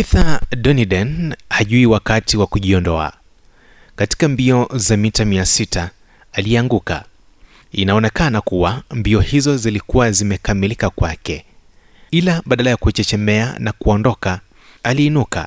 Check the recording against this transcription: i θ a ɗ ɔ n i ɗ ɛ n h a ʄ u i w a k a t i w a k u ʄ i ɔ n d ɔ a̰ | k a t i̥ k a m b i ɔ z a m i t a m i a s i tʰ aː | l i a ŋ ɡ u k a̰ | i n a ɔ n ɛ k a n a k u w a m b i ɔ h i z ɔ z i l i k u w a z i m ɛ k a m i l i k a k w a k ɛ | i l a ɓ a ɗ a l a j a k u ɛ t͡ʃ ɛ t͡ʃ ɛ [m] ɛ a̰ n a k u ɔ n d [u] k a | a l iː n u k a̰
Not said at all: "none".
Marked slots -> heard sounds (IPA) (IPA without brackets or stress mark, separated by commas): m, ɔ